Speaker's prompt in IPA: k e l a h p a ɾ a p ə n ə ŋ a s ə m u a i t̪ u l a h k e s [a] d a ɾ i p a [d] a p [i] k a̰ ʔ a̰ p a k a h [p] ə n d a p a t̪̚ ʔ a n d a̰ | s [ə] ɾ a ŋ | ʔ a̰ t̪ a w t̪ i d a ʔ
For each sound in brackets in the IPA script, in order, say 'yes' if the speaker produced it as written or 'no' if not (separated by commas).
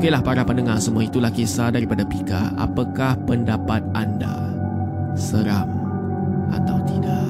yes, yes, yes, yes, yes